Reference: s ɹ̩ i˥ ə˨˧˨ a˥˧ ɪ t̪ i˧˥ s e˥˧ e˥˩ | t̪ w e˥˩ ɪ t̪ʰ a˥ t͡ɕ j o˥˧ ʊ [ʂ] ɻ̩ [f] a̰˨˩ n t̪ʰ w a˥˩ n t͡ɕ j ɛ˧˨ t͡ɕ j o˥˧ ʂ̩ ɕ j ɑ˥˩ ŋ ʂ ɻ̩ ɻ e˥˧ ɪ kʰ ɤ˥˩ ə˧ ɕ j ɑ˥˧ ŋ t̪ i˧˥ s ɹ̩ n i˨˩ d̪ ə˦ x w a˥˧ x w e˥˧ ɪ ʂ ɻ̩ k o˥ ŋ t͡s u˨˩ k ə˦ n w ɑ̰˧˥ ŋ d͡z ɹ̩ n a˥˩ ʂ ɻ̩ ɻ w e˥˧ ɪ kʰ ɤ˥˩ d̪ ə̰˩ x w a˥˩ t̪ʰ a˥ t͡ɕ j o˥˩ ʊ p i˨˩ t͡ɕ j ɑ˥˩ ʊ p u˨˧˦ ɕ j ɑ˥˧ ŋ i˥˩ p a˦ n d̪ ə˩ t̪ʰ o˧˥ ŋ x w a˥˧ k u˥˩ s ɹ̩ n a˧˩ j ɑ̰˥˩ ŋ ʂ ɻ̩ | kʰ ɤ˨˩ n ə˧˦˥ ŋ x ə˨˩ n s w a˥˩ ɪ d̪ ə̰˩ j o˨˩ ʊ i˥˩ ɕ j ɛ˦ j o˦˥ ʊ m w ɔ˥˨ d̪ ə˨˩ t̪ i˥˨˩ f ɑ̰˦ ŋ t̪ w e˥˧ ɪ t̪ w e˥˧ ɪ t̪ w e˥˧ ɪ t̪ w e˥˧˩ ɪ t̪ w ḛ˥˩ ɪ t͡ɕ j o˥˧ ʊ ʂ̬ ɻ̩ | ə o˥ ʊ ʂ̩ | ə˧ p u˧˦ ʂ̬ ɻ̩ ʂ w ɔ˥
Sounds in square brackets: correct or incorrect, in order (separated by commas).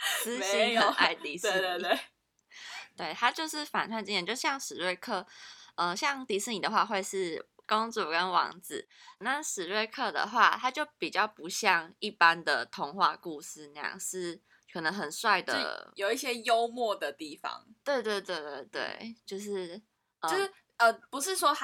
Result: correct, correct